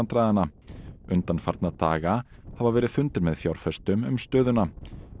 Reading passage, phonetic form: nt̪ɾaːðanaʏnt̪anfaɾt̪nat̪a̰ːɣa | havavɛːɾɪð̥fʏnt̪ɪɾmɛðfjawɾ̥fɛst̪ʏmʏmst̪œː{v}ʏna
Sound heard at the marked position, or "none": ð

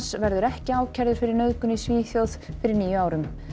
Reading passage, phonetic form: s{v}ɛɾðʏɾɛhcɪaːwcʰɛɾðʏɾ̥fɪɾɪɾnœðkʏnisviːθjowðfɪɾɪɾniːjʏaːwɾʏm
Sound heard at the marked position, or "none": v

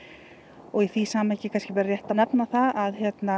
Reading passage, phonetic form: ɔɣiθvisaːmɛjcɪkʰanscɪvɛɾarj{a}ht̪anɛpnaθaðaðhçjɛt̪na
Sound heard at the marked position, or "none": ɛ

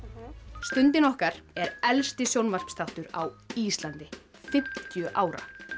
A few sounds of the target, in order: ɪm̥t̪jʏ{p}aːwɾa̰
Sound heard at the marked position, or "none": ʔ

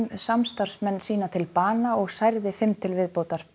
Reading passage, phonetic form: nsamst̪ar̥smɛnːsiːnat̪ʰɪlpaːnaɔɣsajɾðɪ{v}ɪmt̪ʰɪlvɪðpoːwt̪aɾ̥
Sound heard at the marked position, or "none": f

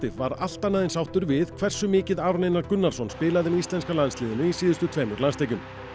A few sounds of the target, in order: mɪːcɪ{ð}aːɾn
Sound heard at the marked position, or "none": ð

